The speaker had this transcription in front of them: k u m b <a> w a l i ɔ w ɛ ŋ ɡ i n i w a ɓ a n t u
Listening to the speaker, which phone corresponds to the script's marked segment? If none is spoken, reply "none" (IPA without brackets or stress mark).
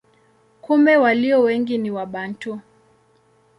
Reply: ɛ